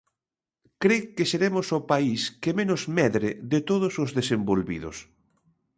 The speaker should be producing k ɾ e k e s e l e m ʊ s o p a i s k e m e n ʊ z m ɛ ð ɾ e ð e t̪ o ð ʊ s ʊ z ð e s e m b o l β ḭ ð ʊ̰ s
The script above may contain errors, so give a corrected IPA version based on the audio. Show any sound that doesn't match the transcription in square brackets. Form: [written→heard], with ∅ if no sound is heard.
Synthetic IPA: k ɾ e k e s e [l→ɾ] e m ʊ s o p a i s k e m e n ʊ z m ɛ ð ɾ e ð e t̪ o ð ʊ s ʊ z ð e s e m b o l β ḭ ð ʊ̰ s